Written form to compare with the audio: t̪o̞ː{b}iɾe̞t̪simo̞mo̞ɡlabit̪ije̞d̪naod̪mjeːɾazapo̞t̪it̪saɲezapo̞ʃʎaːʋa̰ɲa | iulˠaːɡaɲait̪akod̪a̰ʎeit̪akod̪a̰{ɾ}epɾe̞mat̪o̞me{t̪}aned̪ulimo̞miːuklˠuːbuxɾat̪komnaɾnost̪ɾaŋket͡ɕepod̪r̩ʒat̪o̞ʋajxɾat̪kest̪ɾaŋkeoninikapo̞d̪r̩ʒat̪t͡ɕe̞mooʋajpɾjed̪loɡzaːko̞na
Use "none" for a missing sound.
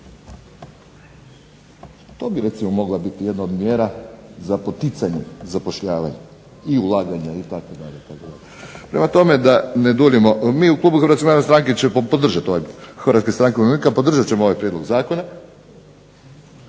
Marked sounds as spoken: b, ʎ, d̪

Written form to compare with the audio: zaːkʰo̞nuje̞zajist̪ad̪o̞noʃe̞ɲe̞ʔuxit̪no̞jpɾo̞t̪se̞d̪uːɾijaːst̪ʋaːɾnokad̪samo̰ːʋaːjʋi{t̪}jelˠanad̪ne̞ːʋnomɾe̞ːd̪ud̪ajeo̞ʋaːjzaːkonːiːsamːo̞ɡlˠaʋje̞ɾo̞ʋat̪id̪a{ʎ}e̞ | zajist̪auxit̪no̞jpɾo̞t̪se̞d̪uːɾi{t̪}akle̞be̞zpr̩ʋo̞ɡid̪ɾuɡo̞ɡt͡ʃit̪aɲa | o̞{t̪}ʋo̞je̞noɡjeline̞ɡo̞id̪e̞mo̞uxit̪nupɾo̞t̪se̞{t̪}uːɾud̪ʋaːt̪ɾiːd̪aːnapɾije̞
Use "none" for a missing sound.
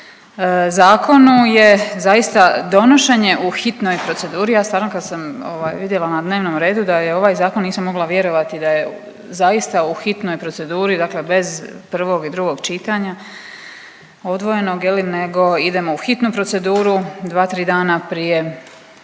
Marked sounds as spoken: d̪, j, d̪, d̪, d̪

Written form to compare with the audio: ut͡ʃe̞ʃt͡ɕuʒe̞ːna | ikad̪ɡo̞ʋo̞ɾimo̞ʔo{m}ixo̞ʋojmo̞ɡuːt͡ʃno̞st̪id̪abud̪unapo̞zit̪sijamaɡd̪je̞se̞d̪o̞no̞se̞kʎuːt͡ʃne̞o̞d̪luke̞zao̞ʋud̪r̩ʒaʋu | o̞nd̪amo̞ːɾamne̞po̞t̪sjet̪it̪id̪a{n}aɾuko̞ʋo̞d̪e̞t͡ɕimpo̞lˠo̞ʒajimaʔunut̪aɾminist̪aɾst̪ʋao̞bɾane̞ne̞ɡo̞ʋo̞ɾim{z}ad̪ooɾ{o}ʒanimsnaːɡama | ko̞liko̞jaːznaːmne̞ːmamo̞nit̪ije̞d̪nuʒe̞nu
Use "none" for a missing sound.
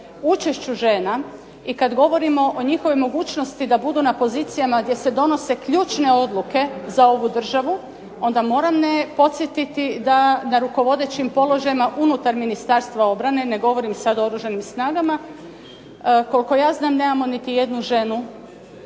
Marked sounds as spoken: ɲ, n, s, u

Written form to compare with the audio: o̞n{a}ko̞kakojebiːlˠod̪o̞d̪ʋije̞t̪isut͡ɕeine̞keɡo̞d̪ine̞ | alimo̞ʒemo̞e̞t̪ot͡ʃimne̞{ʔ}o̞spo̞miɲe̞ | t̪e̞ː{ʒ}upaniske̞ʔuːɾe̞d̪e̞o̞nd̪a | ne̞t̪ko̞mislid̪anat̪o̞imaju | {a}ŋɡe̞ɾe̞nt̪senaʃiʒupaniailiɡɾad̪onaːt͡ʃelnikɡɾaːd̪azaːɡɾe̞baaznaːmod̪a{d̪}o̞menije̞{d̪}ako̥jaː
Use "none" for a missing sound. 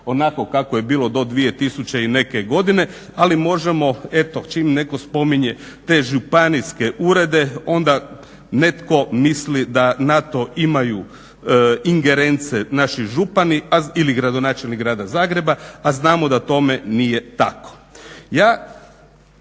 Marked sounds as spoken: a, k, ʒ, i, t̪, t̪

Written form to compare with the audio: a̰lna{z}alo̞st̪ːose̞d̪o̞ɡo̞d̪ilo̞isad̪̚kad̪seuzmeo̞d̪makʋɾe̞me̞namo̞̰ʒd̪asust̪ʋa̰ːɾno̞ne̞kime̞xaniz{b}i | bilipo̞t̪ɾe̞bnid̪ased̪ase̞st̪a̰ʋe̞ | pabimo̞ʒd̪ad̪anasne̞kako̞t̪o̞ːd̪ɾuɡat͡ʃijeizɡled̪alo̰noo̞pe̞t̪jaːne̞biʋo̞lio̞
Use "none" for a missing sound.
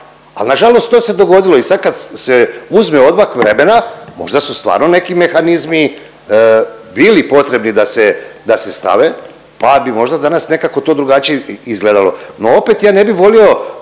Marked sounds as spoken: ʒ, m

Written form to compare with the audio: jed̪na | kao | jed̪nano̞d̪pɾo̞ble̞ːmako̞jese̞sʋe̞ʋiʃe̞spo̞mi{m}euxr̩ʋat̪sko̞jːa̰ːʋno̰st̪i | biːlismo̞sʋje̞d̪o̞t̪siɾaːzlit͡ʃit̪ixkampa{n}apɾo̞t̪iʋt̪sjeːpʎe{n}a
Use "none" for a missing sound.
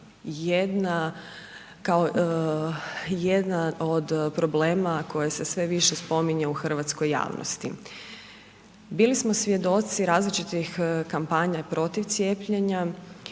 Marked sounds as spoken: ɲ, ɲ, ɲ

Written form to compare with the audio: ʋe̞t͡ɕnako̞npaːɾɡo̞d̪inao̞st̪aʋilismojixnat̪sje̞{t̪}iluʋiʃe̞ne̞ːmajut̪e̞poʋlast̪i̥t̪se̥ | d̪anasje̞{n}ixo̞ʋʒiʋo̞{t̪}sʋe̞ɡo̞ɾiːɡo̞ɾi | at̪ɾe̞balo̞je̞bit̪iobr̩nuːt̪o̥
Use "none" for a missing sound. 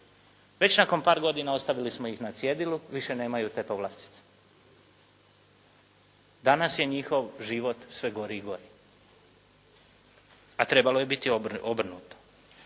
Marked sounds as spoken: d̪, ɲ, t̪

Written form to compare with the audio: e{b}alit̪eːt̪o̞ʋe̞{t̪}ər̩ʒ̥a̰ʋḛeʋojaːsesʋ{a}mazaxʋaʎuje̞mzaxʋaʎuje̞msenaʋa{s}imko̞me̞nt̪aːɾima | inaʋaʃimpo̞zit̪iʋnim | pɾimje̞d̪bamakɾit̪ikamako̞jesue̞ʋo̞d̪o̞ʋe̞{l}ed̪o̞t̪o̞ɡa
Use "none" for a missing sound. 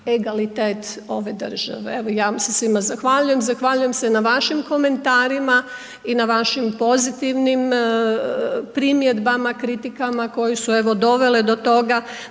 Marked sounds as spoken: ɡ, d̪, i, ʃ, l

